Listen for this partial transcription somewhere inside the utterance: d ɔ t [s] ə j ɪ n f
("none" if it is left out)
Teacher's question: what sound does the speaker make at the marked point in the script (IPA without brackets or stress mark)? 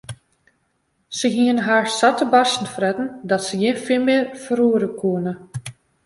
s